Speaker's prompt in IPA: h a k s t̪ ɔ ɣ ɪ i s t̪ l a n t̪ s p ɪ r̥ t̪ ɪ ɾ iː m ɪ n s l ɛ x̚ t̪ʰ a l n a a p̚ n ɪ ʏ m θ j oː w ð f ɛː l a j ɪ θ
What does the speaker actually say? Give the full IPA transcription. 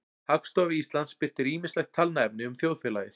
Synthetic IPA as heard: h a k s t̪ ɔ v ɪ i s t̪ l a n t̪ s p ɪ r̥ t̪ ɪ ɾ iː m ɪ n s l ɛ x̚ t̪ʰ a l n a ɛ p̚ n ɪ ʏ m θ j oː w ð f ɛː l a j ɪ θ